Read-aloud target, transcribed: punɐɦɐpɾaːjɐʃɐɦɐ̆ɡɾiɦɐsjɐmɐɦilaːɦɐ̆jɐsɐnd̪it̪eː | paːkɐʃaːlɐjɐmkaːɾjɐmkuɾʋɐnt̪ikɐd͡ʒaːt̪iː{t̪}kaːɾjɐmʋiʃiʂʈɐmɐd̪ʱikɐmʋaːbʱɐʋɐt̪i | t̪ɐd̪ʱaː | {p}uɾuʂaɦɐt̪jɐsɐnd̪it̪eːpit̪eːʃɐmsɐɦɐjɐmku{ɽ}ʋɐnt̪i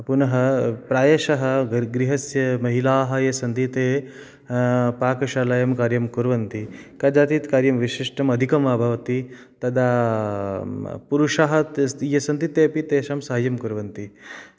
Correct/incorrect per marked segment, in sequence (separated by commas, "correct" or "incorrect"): correct, correct, incorrect